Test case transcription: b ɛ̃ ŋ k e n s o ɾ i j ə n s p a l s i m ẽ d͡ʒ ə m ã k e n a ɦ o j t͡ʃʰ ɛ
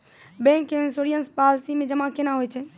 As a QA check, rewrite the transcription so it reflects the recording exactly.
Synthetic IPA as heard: b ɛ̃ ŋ k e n s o ɾ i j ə n s p a l s i m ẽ d͡ʒ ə m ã k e n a ɦ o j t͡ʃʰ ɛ